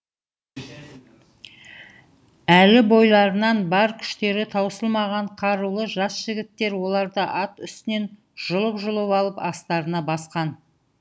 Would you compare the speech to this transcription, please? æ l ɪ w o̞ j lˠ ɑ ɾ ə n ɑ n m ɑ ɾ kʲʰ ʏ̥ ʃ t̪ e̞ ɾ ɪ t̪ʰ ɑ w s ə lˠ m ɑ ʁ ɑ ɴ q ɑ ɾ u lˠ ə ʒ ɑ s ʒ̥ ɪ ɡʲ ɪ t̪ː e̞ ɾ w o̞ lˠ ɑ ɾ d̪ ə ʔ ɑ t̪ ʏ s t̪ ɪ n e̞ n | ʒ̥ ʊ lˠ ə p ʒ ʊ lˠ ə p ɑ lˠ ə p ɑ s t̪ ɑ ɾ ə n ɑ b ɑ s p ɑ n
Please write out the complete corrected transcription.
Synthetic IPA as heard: æ l ɪ b o̞ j lˠ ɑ ɾ ə n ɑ n b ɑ ɾ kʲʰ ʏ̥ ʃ t̪ e̞ ɾ ɪ t̪ʰ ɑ w s ə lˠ m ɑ ʁ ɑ ɴ qʰ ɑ ɾ u lˠ ə ʒ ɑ s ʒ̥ ɪ ɡʲ ɪ t̪ː e̞ ɾ w o̞ lˠ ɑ ɾ d̪ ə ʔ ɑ t̪ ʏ s t̪ ɪ n e̞ n | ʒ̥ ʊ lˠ ə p ʒ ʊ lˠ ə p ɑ lˠ ə p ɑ s t̪ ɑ ɾ ə n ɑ b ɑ s q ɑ n

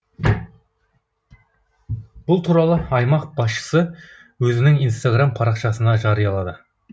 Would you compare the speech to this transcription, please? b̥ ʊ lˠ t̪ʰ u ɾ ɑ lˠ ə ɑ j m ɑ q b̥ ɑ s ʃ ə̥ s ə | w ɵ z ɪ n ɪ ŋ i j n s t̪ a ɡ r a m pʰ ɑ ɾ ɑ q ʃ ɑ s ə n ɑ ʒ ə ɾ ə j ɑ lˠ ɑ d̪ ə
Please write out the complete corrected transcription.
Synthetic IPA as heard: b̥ ʊ lˠ t̪ʰ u ɾ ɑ lˠ ə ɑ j m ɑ q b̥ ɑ s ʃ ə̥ s ə | w ɵ z ɪ n ɪ ŋ i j n s t̪ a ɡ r a m pʰ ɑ ɾ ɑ q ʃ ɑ s ə n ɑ ʒ ɑ ɾ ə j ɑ lˠ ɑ d̪ ə

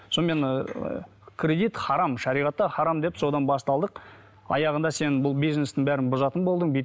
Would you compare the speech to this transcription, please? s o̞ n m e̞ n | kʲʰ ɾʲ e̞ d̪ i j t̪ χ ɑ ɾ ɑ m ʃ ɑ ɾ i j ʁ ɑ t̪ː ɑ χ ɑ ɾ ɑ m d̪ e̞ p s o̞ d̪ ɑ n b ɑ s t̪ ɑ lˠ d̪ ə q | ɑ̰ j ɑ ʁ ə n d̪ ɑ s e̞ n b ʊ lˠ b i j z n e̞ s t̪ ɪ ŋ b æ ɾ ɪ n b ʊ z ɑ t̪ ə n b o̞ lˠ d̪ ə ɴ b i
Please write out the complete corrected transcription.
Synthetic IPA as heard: s o̞ n m e̞ n | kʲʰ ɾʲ e̞ d̪ i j t̪ χ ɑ ɾ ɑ m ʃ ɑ ɾ i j ʁ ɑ t̪ː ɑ χ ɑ ɾ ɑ m d̪ e̞ p s o̞ d̪ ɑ n b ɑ s t̪ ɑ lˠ d̪ ə q | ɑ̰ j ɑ ʁ ə n d̪ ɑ s e̞ n b ʊ lˠ b i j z n e̞ s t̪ ɪ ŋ b æ ɾ ɪ n b ʊ z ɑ t̪ ə n b o̞ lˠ d̪ ə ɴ b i

